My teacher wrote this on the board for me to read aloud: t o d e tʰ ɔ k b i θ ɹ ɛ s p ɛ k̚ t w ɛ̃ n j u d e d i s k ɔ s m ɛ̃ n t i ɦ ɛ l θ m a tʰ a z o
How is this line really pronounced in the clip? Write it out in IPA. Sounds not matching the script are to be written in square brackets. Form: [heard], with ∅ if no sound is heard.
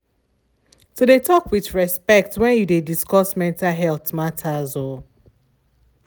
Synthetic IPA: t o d e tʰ ɔ k [w] i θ ɹ ɛ s p ɛ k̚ t w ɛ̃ n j u d e d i s k ɔ s m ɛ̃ n t [a] ɦ ɛ l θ m a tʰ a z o